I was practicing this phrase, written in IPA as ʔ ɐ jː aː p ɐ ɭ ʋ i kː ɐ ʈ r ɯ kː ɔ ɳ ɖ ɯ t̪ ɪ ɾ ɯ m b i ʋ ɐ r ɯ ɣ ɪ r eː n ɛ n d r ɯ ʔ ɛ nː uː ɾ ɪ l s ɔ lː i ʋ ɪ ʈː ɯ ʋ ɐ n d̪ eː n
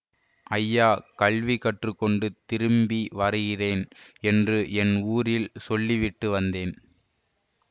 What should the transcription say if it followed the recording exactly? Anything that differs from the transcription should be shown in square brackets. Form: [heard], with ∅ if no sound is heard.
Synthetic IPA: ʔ ɐ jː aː [k] ɐ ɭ ʋ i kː ɐ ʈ r ɯ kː ɔ ɳ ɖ ɯ t̪ ɪ ɾ ɯ m b i ʋ ɐ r ɯ ɣ ɪ r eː n ɛ n d r ɯ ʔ ɛ [n] uː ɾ ɪ l s ɔ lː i ʋ ɪ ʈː ɯ ʋ ɐ n d̪ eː n